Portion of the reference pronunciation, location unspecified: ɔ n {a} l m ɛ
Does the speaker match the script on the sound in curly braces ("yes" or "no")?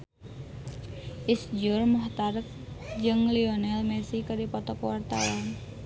no